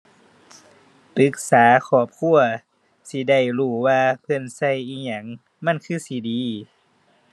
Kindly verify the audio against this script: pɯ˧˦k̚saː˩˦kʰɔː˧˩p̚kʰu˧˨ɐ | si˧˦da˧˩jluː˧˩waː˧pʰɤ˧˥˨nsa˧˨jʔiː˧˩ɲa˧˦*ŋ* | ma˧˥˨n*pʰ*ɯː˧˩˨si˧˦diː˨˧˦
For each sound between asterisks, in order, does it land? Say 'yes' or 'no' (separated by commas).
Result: yes, no